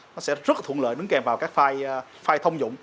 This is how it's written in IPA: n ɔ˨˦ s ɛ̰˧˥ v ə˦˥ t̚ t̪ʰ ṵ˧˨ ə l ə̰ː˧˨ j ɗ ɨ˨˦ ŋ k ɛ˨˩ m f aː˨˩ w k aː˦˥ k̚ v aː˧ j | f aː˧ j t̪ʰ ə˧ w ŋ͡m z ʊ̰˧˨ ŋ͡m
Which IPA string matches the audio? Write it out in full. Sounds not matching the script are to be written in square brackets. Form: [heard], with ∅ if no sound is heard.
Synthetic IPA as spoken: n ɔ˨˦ s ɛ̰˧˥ [z] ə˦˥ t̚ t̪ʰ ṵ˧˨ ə l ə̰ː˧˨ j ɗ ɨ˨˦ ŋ k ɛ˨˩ m [v] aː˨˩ w k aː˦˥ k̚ [f] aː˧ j | f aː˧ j t̪ʰ ə˧ w ŋ͡m z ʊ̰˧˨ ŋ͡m